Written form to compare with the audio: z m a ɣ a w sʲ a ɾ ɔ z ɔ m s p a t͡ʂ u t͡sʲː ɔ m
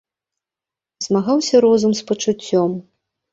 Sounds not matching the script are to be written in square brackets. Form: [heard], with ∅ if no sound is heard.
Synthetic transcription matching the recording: z m a ɣ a w sʲ [ɐ] ɾ ɔ z [u] m s p [ɐ] t͡ʂ u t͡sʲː ɔ m